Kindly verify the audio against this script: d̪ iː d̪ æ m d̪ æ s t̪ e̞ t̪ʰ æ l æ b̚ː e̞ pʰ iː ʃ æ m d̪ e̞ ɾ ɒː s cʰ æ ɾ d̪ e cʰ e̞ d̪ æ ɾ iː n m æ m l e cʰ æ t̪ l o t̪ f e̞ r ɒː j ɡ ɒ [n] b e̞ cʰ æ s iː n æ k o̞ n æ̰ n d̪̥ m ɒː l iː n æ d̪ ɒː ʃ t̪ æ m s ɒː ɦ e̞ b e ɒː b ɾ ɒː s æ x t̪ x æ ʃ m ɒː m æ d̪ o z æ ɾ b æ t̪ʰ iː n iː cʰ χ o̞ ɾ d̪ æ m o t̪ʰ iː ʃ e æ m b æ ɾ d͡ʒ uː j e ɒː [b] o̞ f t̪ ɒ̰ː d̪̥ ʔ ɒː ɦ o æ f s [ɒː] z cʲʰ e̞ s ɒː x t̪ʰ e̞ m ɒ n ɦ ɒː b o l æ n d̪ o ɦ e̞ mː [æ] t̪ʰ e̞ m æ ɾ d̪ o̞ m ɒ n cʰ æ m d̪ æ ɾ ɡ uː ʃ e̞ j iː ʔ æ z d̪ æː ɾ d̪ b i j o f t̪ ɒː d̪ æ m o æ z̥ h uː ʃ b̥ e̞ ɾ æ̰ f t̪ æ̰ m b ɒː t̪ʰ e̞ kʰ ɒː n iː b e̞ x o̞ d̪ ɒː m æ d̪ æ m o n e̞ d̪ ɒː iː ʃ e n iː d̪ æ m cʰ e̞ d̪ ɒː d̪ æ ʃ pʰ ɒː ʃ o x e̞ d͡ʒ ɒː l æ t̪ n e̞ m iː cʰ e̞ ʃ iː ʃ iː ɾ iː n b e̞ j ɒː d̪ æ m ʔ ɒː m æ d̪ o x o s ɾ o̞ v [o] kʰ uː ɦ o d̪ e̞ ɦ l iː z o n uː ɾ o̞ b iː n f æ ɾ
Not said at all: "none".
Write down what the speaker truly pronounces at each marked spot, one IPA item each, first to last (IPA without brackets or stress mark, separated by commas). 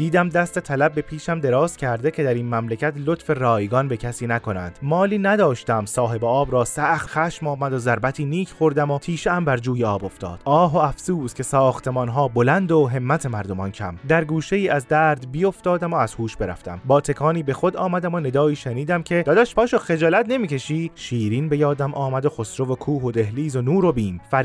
n, b, uː, æ, o